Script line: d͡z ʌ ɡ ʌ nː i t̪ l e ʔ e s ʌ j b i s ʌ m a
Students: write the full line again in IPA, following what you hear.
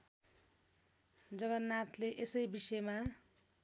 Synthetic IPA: d͡z ʌ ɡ ʌ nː a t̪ l e ʔ e s ʌ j b i s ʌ m a